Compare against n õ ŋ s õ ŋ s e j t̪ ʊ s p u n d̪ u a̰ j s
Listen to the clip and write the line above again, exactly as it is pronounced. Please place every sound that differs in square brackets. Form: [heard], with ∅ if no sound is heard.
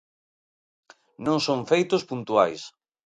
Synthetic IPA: n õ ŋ s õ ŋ [f] e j t̪ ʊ s p u n [t̪] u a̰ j s